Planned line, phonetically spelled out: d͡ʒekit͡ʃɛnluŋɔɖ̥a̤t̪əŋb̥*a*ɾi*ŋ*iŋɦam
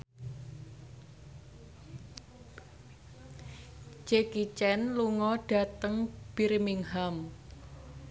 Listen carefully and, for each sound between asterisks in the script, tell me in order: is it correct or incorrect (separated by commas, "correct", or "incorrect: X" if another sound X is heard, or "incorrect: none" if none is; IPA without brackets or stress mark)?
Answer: incorrect: i, incorrect: m